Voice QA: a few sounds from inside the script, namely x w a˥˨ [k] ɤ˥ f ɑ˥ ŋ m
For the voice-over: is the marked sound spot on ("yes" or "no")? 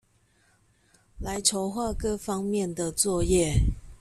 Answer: yes